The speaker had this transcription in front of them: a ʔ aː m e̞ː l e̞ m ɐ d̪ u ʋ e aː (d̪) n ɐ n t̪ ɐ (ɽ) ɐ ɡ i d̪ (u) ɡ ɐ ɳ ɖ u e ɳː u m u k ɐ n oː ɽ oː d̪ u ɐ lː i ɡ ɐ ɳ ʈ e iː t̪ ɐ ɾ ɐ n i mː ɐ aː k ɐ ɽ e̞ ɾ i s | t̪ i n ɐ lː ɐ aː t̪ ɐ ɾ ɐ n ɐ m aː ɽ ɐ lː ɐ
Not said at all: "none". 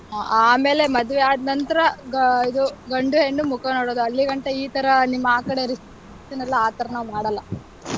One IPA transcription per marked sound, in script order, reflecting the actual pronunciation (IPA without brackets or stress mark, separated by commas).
d̪, ɾ, u